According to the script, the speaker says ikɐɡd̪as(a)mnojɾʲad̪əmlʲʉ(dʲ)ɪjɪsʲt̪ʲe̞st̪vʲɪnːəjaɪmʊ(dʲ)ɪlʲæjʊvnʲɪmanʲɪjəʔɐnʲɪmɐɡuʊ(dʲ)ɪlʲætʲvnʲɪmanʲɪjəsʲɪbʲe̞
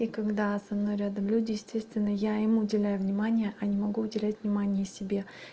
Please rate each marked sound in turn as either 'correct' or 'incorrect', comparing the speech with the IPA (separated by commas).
incorrect, correct, correct, correct